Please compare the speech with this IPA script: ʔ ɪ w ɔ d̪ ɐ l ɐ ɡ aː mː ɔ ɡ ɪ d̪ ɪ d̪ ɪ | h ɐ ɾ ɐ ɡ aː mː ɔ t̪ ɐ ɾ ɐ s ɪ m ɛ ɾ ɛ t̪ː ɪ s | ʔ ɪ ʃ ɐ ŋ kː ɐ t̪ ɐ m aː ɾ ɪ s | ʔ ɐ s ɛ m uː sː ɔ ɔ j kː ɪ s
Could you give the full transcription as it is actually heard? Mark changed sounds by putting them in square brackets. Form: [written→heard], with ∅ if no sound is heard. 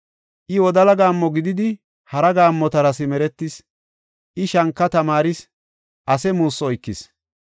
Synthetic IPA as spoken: ʔ ɪ w ɔ d̪ ɐ l ɐ ɡ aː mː ɔ ɡ ɪ d̪ ɪ d̪ ɪ | h ɐ ɾ ɐ ɡ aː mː ɔ t̪ ɐ ɾ ɐ s ɪ m ɛ ɾ ɛ t̪ː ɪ s | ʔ ɪ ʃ ɐ ŋ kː ɐ t̪ ɐ m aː ɾ ɪ s | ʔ ɐ s ɛ m uː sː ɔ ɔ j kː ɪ s

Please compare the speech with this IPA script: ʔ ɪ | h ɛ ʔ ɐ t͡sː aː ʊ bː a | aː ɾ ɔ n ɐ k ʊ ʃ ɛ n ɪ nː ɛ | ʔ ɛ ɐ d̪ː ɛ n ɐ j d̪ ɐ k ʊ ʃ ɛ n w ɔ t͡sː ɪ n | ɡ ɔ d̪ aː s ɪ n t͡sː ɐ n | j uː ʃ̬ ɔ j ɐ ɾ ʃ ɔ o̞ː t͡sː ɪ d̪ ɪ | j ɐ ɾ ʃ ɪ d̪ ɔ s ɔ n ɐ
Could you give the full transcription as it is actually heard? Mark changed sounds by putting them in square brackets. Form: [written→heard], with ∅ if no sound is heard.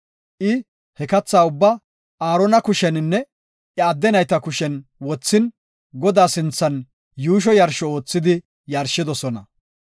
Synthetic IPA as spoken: ʔ ɪ | h ɛ [ʔ→k] ɐ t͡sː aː ʊ bː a | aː ɾ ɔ n ɐ k ʊ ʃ ɛ n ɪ nː ɛ | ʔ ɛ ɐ d̪ː ɛ n ɐ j [d̪→t̪] ɐ k ʊ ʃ ɛ n w ɔ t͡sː ɪ n | ɡ ɔ d̪ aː s ɪ n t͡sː ɐ n | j uː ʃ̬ ɔ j ɐ ɾ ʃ ɔ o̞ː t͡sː ɪ d̪ ɪ | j ɐ ɾ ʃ ɪ d̪ ɔ s ɔ n ɐ

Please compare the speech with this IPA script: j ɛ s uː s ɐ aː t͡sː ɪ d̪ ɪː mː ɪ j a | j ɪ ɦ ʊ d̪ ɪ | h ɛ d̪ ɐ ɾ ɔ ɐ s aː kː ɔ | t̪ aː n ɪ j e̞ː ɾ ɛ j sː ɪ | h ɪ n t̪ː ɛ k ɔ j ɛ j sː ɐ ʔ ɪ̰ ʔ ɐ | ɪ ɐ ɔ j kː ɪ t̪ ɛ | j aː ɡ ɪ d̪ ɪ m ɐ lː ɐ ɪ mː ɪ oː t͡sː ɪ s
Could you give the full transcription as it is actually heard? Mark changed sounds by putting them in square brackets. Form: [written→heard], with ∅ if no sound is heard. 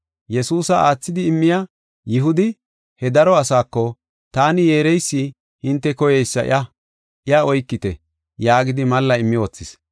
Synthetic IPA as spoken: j ɛ s uː s ɐ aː t͡sː ɪ d̪ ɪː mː ɪ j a | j ɪ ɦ ʊ d̪ ɪ | h ɛ d̪ ɐ ɾ ɔ ɐ s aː kː ɔ | t̪ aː n ɪ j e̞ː ɾ ɛ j sː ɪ | h ɪ n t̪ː ɛ k ɔ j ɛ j sː ɐ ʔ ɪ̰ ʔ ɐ | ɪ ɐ ɔ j kː ɪ t̪ ɛ | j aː ɡ ɪ d̪ ɪ m ɐ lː ɐ ɪ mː ɪ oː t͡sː ɪ s

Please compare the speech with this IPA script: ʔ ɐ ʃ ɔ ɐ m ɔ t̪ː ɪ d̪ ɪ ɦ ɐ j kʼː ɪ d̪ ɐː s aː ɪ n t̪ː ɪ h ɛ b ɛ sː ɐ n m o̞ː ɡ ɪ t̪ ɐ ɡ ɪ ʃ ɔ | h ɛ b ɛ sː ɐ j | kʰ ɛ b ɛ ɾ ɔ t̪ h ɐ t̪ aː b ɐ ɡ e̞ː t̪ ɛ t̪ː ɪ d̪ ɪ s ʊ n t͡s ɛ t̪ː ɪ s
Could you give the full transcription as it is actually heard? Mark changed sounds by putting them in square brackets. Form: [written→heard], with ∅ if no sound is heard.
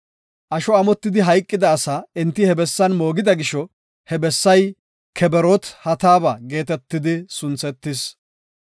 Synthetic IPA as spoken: ʔ ɐ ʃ ɔ ɐ m ɔ t̪ː ɪ d̪ ɪ ɦ ɐ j kʼː ɪ d̪ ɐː s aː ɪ n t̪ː ɪ h ɛ b ɛ sː ɐ n m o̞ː ɡ ɪ [t̪→d̪] ɐ ɡ ɪ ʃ ɔ | h ɛ b ɛ sː ɐ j | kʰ ɛ b ɛ ɾ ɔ t̪ h ɐ t̪ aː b ɐ ɡ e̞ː t̪ ɛ t̪ː ɪ d̪ ɪ s ʊ n t͡s ɛ t̪ː ɪ s

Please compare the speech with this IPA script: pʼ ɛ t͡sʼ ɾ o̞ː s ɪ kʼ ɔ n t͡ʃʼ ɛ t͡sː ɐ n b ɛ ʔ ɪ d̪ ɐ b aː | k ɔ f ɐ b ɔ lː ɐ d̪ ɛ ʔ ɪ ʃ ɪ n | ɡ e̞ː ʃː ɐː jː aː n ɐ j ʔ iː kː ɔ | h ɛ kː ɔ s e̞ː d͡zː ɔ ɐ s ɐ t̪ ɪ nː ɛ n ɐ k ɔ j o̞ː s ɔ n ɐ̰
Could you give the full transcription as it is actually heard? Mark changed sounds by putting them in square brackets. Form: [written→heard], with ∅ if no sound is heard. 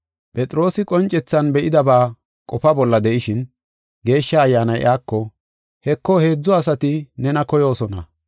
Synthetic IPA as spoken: pʼ ɛ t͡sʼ ɾ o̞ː s ɪ kʼ ɔ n t͡ʃʼ ɛ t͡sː ɐ n b ɛ ʔ ɪ d̪ ɐ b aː | [k→kʼ] ɔ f ɐ b ɔ lː ɐ d̪ ɛ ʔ ɪ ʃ ɪ n | ɡ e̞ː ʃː ɐː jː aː n ɐ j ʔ [iː→aː] kː ɔ | h ɛ kː ɔ [s→h] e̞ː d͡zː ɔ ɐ s ɐ t̪ ɪ [nː→n] ɛ n ɐ k ɔ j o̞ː s ɔ n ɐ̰

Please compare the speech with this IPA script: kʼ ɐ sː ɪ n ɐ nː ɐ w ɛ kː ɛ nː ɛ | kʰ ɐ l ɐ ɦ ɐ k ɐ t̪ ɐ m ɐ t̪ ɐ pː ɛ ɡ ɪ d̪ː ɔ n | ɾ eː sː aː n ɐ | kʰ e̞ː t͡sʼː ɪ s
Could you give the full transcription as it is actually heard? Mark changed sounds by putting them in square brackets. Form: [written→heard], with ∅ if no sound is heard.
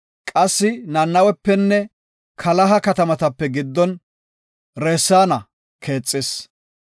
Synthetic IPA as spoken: kʼ ɐ sː ɪ n ɐ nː ɐ w ɛ [kː→pː] ɛ nː ɛ | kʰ ɐ l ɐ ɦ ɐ k ɐ t̪ ɐ m ɐ t̪ ɐ pː ɛ ɡ ɪ d̪ː ɔ n | ɾ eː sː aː n ɐ | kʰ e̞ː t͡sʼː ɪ s

